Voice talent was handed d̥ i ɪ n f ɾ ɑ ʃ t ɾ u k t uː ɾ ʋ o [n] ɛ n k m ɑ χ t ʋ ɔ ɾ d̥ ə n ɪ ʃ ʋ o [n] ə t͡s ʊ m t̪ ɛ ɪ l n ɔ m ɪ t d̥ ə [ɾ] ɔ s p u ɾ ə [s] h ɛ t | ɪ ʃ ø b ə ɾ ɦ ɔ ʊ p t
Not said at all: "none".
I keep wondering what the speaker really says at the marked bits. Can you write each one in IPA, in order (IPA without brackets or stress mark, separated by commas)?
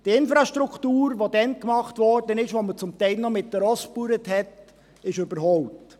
d, m, ɾ, t